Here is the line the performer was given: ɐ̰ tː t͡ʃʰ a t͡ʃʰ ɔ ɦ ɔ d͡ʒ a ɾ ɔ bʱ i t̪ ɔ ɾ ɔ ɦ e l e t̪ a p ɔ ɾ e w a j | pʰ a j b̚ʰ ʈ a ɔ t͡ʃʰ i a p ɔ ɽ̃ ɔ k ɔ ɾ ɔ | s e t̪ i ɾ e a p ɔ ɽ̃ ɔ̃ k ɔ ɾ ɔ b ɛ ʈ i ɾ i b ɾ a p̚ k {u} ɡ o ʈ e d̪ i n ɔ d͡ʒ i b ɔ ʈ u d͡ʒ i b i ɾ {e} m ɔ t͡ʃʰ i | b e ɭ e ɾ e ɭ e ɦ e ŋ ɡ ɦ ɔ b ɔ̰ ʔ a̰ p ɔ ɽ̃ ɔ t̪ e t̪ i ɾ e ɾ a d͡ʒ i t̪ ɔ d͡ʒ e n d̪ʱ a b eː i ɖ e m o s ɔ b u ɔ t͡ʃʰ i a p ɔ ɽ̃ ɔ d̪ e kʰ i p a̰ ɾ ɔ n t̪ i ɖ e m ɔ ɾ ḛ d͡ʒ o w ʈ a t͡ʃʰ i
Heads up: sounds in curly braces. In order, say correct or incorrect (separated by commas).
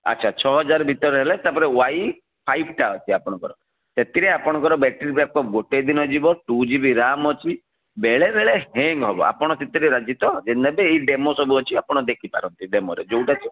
incorrect, incorrect